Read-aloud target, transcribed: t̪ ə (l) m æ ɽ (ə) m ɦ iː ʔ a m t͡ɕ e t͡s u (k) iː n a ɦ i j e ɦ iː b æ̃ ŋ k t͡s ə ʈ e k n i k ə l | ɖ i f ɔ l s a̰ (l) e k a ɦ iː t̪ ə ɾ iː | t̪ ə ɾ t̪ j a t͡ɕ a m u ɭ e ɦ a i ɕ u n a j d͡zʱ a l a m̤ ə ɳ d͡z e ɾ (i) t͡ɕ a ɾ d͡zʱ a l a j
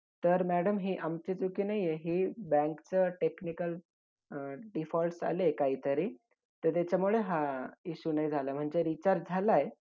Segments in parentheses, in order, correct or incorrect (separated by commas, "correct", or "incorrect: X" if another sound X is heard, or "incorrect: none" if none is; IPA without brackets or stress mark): incorrect: ɾ, correct, correct, correct, correct